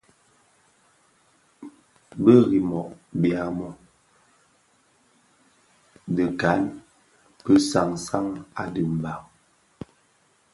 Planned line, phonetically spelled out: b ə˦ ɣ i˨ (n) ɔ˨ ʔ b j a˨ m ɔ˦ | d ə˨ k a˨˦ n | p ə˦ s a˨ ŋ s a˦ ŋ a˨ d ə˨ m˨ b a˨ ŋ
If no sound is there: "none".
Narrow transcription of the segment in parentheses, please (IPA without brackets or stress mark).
m